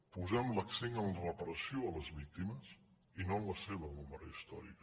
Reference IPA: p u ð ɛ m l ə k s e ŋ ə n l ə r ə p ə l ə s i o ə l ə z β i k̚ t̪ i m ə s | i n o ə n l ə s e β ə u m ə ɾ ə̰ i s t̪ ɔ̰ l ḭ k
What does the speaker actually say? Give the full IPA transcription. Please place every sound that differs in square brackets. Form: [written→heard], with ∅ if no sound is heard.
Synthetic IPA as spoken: p u [ð→z] ɛ m l ə k s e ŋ ə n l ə r ə p ə [l→ɾ] ə s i o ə l ə z β i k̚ t̪ i m ə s | i n o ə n l ə s e β ə u m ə ɾ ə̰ i s t̪ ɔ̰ [l→ɾ] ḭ k

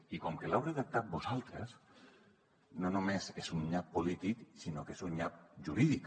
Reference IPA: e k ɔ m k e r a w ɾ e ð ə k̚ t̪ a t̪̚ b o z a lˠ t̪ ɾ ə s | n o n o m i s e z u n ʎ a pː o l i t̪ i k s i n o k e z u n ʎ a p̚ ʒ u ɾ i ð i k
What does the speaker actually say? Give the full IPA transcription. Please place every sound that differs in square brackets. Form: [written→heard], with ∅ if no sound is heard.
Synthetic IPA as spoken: [e→i] k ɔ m k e [r→l] a w ɾ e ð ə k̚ t̪ a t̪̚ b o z a lˠ t̪ ɾ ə s | n o n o m [i→e] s e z u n ʎ a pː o l i t̪ i k s i n o k e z u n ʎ a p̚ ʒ u ɾ i ð i k

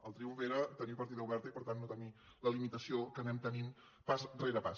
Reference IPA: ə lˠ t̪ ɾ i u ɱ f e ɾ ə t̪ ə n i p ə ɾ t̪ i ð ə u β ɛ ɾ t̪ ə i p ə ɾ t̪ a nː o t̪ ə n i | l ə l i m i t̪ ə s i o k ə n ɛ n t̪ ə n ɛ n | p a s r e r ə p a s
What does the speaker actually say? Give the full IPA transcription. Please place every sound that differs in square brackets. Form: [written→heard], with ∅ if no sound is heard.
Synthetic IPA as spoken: ə lˠ t̪ ɾ i u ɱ f e ɾ ə t̪ ə n i p ə ɾ t̪ i ð ə u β ɛ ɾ t̪ ə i p ə ɾ t̪ a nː o t̪ ə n i | l ə l i m i t̪ ə s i o k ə n ɛ [n→m] t̪ ə n [ɛ→i] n | p a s r e [r→ɾ] ə p a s

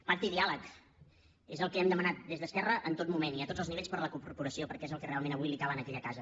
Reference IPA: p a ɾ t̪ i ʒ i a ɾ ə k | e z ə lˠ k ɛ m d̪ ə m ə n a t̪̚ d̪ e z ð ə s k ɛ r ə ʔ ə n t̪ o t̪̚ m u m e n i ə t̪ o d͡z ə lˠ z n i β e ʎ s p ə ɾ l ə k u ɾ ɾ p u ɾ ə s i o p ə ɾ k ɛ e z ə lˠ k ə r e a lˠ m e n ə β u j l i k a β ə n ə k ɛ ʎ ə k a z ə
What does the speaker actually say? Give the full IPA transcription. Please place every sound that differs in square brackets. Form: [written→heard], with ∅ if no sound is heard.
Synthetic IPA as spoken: p a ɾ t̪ i [ʒ→ð] i a [ɾ→l] ə k | e z ə lˠ k ɛ m d̪ ə m ə n a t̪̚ d̪ e z ð ə s k ɛ r ə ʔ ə n t̪ o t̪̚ m u m e n i ə t̪ o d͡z ə lˠ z n i β e ʎ s p ə ɾ l ə k u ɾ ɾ p u ɾ ə s i o p ə ɾ k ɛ e z ə lˠ k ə r e a lˠ m e n ə β u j l i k a β ə n ə k ɛ ʎ ə k a z ə

